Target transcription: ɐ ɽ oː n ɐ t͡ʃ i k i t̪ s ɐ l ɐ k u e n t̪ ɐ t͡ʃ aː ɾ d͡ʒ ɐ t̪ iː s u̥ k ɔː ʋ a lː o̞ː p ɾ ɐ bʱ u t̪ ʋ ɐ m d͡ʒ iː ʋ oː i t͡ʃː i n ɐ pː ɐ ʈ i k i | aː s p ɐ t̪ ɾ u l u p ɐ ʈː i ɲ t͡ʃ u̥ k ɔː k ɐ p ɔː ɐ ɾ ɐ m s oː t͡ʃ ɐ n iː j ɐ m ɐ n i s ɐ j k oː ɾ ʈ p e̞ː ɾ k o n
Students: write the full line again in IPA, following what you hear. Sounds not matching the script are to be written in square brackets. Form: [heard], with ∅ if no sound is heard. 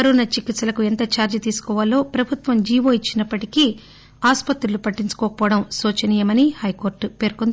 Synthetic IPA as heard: ɐ [ɾ] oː n ɐ t͡ʃ i k i t̪ s ɐ l ɐ k u e n t̪ ɐ t͡ʃ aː ɾ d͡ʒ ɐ t̪ iː s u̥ k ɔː ʋ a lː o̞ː p ɾ ɐ bʱ u t̪ ʋ ɐ m d͡ʒ iː ʋ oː i t͡ʃː i n ɐ pː ɐ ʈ i k i | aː s p ɐ t̪ ɾ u l u p ɐ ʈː i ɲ t͡ʃ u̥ k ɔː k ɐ p ɔː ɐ [ɽ] ɐ m s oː t͡ʃ ɐ n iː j ɐ m ɐ n i [h] ɐ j k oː ɾ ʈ p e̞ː ɾ k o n